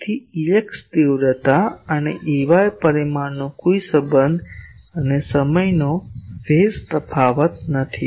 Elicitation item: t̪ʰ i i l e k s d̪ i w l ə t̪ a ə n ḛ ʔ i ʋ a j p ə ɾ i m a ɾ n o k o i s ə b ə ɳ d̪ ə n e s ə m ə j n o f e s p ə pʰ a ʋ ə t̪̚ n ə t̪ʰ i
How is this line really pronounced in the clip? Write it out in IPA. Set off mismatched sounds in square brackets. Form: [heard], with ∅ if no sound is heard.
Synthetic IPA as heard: t̪ʰ i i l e k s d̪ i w [ɾ] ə t̪ a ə n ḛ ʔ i ʋ a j p ə ɾ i m a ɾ n o k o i s ə b ə [n] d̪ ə n e s ə m ə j n o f e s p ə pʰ a ʋ ə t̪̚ n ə t̪ʰ i

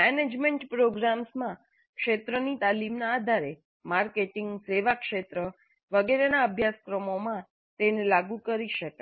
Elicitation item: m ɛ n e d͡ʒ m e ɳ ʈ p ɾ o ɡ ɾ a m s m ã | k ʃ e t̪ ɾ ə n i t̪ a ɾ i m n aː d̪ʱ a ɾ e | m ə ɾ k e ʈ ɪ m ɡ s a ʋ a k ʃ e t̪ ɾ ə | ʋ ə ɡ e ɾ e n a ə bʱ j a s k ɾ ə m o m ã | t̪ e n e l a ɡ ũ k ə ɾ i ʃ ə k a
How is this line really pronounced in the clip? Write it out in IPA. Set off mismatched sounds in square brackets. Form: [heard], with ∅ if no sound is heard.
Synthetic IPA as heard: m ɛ n e d͡ʒ m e ɳ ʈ p ɾ o ɡ ɾ a m s m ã | k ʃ e t̪ ɾ ə n i t̪ a [l] i m n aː d̪ʱ a ɾ e | m [a] ɾ k e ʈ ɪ [ŋ] ɡ s [e] ʋ a k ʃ e t̪ ɾ ə | ʋ ə ɡ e ɾ e n a ə bʱ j a s k ɾ ə m o m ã | t̪ e n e l a ɡ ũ k ə ɾ i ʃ ə k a

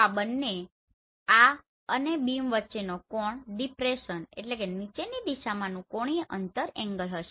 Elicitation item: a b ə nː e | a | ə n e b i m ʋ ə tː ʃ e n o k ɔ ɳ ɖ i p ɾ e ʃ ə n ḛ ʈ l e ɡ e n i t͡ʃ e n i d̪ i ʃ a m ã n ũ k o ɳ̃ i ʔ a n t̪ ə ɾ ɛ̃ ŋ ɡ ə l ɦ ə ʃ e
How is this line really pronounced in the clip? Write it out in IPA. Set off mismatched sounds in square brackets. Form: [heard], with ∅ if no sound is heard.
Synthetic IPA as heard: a b ə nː e | a | ə n e b i m ʋ ə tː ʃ e n o k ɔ ɳ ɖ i p ɾ e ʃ ə n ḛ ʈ l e [k] e n i t͡ʃ e n i d̪ i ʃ a m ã n ũ k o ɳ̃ i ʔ [ə] n t̪ ə ɾ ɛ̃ ŋ ɡ ə l ɦ ə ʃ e

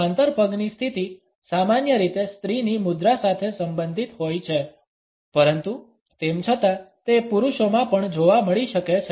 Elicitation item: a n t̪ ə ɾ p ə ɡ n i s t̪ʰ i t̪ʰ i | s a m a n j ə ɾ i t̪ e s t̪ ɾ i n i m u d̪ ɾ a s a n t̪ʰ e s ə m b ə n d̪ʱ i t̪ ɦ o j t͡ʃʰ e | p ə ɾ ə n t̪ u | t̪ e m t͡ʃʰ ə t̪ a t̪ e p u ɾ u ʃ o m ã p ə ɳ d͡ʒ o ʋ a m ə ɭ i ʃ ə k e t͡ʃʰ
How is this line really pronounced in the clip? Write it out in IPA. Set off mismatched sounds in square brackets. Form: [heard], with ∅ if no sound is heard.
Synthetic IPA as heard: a n t̪ ə ɾ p ə ɡ n i s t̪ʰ i [t̪] i | s a m a n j ə ɾ i t̪ e s t̪ ɾ i n i m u d̪ ɾ a s a [∅] t̪ʰ e s ə m b ə n d̪ʱ i t̪ ɦ o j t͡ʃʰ e | p ə ɾ ə n t̪ u | t̪ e m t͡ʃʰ ə t̪ a t̪ e p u ɾ u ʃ o m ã p ə ɳ d͡ʒ o ʋ a m ə ɭ i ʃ ə k e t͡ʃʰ

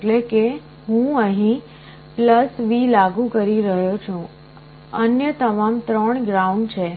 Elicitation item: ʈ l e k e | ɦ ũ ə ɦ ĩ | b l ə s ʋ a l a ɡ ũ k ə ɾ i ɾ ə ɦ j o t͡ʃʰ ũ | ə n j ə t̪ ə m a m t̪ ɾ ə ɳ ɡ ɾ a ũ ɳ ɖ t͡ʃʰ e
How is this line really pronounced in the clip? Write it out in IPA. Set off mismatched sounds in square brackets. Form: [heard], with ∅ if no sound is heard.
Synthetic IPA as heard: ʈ l e k e | ɦ ũ ə ɦ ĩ | [p] l ə s ʋ [i] l a ɡ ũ k ə ɾ i ɾ ə ɦ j o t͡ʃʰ ũ | ə n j ə t̪ ə m a m t̪ ɾ ə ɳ ɡ ɾ a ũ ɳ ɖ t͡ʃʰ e

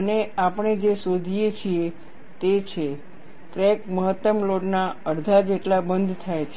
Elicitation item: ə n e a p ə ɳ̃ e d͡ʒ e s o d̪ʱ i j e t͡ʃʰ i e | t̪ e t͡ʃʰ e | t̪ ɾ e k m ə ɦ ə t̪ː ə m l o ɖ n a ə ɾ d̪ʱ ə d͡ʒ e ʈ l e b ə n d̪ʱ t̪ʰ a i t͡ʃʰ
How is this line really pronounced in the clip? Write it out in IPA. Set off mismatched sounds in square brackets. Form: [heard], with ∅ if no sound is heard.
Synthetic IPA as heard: ə n e a p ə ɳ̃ e d͡ʒ e s o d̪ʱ i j e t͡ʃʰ i e | t̪ e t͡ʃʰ e | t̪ ɾ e k m ə ɦ ə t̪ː ə m l o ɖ n a ə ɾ d̪ʱ [a] d͡ʒ e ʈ l [a] b ə n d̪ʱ t̪ʰ a [j] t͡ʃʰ

